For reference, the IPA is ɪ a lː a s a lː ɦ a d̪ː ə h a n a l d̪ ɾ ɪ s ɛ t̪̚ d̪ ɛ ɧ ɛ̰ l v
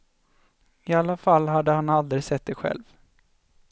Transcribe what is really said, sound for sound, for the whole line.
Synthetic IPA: ɪ a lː a f a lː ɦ a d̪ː ə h a n a l d̪ ɾ ɪ s ɛ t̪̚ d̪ ɛ ɧ ɛ̰ l v